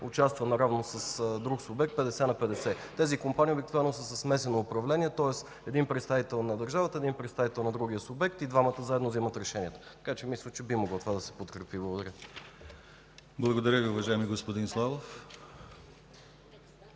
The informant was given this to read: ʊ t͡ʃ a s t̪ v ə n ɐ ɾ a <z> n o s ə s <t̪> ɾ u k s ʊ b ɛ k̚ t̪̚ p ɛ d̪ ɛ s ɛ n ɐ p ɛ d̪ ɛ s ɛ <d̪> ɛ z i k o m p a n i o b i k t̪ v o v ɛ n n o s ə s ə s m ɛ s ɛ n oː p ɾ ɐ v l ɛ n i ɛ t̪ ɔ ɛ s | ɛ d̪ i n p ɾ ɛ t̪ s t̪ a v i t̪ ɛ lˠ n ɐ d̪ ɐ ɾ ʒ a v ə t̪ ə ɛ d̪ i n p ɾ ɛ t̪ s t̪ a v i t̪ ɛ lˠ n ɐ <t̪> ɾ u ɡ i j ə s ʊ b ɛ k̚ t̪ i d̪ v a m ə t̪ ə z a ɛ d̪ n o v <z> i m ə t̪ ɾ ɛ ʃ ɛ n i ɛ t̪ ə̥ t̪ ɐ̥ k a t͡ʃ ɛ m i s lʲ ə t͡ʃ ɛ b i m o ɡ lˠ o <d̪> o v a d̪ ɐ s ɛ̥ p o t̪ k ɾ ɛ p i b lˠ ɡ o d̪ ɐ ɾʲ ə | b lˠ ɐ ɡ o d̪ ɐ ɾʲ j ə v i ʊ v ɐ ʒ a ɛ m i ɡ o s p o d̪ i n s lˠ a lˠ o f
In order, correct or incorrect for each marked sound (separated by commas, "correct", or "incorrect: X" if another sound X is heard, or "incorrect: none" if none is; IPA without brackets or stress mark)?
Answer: incorrect: v, incorrect: d̪, incorrect: t̪, incorrect: d̪, correct, incorrect: t̪